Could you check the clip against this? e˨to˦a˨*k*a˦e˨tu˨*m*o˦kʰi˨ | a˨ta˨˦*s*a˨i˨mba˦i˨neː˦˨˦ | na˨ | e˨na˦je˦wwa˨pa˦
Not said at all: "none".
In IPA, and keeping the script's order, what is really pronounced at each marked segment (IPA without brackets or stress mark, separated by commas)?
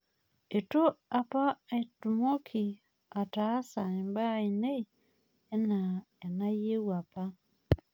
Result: p, m, s